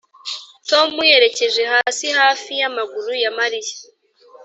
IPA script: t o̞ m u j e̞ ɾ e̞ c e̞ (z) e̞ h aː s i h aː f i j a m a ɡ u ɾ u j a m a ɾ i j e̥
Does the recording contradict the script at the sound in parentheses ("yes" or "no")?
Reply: yes